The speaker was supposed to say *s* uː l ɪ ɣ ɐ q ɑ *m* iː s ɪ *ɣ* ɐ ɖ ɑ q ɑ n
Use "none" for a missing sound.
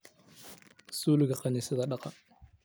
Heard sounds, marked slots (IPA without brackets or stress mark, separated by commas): s, n, ð